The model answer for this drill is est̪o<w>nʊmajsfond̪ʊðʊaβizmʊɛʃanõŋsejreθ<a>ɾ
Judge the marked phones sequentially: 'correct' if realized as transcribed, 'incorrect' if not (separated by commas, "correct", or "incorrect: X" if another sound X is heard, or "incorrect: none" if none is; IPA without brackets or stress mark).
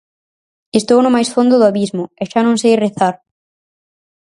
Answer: correct, correct